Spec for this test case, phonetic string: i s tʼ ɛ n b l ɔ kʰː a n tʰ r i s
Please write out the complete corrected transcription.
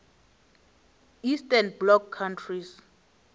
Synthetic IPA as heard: i s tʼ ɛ n b l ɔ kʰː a n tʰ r i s